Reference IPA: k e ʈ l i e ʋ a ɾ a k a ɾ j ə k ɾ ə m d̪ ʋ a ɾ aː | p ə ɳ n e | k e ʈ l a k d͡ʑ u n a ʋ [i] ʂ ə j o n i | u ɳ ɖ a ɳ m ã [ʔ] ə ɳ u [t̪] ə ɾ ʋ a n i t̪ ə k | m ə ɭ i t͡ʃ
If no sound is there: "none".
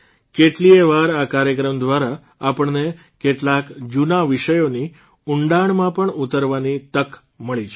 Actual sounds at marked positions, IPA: i, p, t̪

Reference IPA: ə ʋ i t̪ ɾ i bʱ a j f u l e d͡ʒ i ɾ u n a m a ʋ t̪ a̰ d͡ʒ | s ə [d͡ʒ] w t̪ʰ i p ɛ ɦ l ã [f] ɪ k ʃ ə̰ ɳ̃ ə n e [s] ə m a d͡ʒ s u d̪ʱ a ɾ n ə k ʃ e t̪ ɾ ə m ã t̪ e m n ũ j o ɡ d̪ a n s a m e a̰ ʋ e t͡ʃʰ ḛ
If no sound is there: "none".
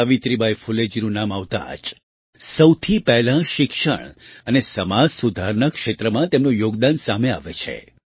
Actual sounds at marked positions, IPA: none, ʃ, s

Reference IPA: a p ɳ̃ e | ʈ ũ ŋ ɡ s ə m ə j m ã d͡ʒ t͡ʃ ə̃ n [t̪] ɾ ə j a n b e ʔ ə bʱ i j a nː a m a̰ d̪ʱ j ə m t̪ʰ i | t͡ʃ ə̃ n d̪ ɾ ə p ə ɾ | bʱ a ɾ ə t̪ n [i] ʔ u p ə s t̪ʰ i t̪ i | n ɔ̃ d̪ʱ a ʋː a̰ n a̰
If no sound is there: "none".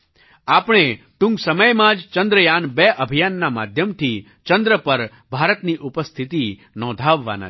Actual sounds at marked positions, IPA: d̪, i

